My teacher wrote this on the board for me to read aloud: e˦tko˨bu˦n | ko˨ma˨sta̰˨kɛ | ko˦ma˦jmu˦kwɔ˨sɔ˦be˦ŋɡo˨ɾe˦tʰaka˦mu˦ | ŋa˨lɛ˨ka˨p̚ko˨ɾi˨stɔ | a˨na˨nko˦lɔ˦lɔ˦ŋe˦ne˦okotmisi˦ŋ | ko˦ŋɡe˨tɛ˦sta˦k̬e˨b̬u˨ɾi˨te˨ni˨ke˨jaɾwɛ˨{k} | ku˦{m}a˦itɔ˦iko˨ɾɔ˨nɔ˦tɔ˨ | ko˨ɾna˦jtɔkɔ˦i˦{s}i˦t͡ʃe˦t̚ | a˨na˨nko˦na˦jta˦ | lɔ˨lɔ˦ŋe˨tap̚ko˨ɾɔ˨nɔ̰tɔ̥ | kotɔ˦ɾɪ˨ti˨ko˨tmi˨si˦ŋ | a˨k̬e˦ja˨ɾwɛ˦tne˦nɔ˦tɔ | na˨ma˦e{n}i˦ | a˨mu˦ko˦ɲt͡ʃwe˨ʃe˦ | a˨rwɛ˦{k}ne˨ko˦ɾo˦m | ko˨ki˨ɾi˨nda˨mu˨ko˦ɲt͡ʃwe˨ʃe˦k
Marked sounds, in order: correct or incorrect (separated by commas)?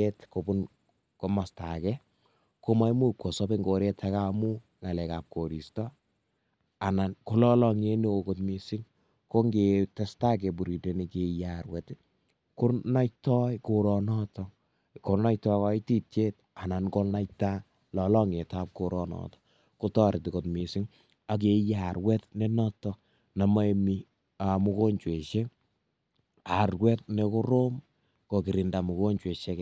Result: incorrect, incorrect, incorrect, incorrect, incorrect